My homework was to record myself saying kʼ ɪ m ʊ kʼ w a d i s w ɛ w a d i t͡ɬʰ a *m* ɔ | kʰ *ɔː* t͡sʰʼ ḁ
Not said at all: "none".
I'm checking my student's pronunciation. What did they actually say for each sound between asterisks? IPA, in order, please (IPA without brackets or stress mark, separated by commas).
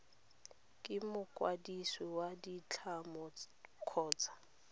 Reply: m, ɔː